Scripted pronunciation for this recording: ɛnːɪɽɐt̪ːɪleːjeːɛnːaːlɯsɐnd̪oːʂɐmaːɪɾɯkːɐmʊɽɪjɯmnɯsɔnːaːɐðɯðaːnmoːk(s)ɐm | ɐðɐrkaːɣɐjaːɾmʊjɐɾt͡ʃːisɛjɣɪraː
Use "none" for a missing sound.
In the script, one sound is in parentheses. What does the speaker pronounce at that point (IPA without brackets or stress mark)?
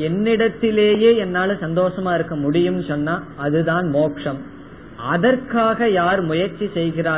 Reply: ʂ